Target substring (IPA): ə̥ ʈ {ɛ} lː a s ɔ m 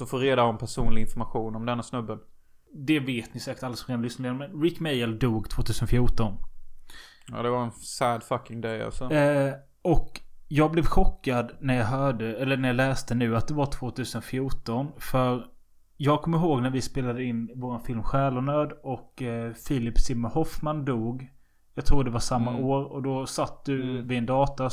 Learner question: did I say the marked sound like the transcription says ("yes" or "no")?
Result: no